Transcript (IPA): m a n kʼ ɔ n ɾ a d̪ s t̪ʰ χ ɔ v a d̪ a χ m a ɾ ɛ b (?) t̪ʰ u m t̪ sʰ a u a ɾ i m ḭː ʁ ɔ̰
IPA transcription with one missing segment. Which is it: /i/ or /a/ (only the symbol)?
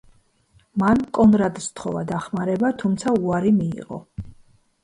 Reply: a